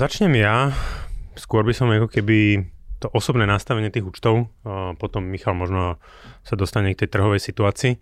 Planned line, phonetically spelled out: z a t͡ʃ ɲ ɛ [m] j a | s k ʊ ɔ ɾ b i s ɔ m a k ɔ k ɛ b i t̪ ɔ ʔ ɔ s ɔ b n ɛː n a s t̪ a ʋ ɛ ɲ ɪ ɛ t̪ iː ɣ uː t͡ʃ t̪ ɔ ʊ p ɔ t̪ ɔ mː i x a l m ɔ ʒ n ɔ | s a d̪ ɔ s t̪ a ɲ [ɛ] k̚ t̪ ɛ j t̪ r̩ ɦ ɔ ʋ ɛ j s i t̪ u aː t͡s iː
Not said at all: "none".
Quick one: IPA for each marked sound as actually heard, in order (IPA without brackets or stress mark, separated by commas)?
m, ɛ